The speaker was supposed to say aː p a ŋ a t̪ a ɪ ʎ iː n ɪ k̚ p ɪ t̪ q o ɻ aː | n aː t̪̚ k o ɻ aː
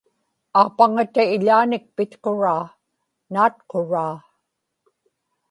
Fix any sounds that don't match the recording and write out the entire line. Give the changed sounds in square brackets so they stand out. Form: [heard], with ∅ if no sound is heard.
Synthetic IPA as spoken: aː p a ŋ a t̪ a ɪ ʎ [aː] n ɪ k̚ p ɪ t̪ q o ɻ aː | n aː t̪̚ [q] o ɻ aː